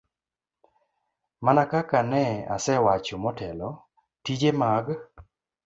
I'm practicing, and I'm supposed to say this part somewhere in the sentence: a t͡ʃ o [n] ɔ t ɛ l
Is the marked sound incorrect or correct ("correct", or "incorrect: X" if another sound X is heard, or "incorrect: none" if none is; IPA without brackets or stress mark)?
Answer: incorrect: m